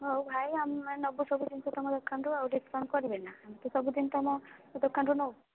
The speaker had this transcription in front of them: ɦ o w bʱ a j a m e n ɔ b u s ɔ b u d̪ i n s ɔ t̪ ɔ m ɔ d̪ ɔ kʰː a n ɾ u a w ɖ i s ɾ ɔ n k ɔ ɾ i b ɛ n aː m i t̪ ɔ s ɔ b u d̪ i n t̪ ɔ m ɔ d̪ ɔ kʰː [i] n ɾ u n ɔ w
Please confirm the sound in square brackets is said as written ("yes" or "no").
no